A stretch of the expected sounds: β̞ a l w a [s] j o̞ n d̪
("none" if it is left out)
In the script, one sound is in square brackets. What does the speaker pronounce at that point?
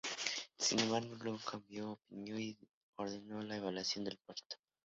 s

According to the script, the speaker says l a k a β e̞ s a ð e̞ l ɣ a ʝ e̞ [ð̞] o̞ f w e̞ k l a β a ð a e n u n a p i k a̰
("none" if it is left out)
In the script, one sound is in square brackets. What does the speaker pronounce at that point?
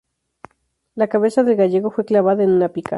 ɣ̞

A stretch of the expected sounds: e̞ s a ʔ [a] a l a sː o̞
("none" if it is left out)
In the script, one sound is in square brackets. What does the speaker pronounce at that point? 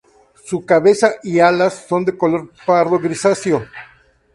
i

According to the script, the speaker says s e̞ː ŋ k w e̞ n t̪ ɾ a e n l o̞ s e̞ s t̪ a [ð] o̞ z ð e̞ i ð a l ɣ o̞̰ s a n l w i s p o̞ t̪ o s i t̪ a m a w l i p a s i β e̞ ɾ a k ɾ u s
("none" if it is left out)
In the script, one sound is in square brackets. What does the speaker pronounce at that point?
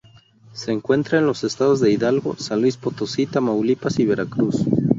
ð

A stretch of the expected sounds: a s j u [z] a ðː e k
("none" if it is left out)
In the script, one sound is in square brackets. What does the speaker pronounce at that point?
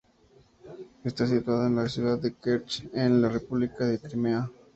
ð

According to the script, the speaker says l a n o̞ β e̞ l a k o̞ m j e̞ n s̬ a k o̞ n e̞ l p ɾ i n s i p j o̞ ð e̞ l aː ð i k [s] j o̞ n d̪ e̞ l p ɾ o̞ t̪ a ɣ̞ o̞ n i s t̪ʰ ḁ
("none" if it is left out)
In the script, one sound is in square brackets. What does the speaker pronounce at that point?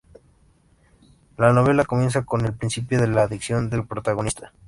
s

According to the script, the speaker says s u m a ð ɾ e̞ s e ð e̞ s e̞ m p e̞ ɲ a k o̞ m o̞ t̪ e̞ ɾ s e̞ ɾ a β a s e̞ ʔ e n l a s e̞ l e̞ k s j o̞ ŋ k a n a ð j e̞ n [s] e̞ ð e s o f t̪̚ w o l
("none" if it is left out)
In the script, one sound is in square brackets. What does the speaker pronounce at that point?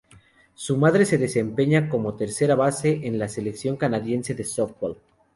s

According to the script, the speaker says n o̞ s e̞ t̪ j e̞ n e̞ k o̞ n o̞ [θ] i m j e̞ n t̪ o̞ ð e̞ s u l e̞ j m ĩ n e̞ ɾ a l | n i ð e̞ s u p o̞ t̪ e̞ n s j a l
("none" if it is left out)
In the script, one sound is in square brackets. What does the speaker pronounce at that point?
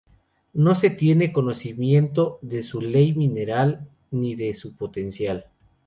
s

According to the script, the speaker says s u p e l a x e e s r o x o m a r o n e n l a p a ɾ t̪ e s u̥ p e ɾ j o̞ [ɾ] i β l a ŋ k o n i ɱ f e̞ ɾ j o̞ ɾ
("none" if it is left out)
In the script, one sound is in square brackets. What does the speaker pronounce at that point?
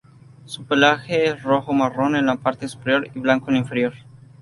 ɾ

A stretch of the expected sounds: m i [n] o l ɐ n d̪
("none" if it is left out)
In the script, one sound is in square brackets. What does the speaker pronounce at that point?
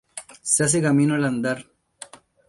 n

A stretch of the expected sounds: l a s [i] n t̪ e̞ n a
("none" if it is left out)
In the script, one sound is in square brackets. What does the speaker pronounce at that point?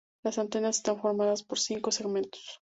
a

